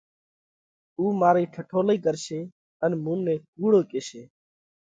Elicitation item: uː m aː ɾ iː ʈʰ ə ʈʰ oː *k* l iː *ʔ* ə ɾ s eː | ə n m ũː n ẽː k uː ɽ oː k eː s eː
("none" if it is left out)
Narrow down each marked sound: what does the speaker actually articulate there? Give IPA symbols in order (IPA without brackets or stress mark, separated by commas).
none, k